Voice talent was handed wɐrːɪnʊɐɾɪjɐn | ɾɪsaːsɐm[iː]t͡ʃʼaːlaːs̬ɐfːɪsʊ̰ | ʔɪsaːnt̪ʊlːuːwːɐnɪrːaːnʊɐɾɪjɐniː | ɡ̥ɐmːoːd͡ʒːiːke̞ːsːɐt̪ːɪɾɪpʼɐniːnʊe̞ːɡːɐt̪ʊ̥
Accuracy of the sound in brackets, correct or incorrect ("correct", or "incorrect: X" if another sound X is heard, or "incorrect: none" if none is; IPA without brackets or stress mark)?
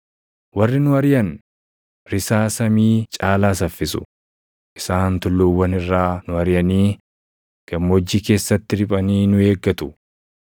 correct